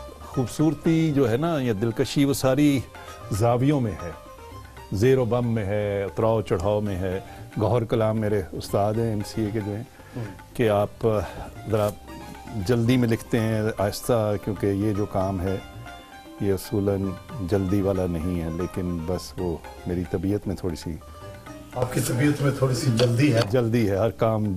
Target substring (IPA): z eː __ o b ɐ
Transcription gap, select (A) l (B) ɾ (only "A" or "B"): B